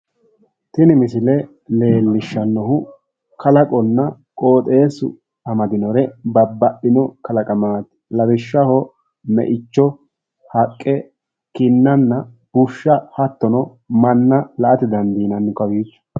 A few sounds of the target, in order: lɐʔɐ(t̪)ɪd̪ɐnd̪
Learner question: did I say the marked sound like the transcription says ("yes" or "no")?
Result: yes